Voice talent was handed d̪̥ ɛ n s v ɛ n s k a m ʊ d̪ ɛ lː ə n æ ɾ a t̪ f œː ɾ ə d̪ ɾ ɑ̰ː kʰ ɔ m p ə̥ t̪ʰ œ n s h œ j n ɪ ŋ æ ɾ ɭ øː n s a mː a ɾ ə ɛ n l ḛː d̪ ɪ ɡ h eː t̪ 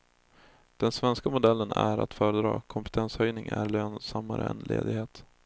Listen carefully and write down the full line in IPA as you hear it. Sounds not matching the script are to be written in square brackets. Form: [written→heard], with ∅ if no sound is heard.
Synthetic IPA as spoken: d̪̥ ɛ n s v ɛ n s k a m ʊ d̪ ɛ lː ə n æ ɾ a t̪ f œː ɾ ə d̪ ɾ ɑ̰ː kʰ ɔ m p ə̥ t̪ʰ [œ→ɛ] n s h œ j n ɪ ŋ æ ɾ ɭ øː n s a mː a ɾ ə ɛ n l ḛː d̪ ɪ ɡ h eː t̪